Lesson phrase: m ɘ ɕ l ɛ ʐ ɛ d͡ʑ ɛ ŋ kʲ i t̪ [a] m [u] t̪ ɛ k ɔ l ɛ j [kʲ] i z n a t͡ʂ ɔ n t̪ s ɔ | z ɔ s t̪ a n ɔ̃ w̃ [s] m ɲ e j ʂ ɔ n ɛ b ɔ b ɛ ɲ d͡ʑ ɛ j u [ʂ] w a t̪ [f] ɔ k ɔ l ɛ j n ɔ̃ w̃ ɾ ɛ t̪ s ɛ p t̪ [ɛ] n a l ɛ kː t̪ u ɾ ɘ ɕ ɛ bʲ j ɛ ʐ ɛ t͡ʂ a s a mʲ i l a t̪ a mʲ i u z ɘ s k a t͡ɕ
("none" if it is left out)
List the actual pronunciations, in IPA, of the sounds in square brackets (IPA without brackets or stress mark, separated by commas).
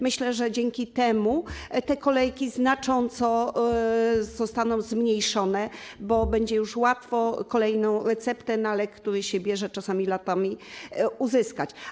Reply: ɛ, u, kʲ, z, ʂ, f, ɛ